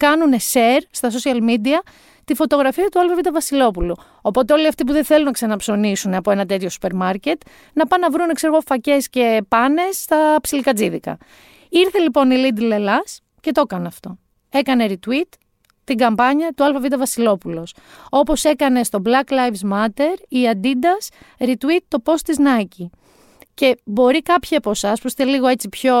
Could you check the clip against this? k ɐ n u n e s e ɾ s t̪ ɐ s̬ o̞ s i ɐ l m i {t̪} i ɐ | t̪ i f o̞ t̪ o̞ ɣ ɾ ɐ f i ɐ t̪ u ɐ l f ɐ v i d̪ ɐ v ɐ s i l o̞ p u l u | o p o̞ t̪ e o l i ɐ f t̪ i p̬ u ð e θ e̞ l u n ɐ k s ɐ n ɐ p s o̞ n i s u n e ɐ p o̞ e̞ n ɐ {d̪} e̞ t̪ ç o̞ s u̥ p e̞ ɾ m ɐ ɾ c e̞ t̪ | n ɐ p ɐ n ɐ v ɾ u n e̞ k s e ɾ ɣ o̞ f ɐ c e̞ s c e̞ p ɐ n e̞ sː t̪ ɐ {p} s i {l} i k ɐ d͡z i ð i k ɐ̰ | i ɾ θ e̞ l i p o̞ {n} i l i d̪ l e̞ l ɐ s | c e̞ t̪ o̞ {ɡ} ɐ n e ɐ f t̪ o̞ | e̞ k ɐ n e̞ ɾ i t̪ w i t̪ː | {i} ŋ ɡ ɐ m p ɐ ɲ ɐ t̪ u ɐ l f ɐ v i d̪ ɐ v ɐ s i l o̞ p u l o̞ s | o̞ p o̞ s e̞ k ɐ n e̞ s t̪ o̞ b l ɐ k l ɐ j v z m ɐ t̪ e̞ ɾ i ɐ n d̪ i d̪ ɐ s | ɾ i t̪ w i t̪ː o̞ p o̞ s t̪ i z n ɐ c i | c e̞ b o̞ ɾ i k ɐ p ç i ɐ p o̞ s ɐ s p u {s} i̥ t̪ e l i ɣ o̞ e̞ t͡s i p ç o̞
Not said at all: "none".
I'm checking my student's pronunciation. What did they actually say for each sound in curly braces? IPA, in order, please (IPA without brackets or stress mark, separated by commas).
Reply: d̪, t̪, p, l, n, k, i, s